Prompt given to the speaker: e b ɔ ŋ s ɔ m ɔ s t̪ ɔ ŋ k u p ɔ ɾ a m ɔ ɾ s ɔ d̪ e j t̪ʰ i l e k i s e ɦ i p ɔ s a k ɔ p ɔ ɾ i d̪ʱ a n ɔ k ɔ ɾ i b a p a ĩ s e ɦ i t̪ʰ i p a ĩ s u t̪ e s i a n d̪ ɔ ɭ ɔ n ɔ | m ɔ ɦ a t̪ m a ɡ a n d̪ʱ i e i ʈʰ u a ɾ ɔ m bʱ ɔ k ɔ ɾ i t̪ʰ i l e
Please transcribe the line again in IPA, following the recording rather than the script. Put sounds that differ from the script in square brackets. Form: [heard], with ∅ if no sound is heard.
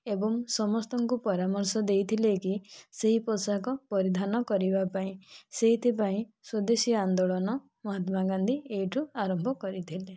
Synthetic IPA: e b ɔ ŋ s ɔ m ɔ s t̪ ɔ ŋ k u p ɔ ɾ a m ɔ ɾ s ɔ d̪ e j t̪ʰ i l e k i s e ɦ i p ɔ s a k ɔ p ɔ ɾ i d̪ʱ a n ɔ k ɔ ɾ i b a p a ĩ s e ɦ i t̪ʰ i p a ĩ s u [d̪] e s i a n d̪ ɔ ɭ ɔ n ɔ | m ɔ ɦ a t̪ m a ɡ a n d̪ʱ i e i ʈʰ u a ɾ ɔ m bʱ ɔ k ɔ ɾ i t̪ʰ i l e